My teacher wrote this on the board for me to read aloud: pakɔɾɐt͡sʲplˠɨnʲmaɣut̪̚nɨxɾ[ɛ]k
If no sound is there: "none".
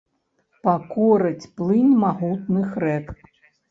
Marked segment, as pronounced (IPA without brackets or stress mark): ɛ